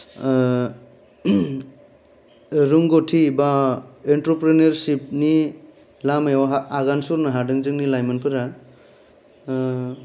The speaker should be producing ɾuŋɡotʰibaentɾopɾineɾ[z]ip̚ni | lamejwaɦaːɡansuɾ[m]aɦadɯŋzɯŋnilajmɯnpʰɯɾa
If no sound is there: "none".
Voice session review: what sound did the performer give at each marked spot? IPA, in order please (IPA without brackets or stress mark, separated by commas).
s, n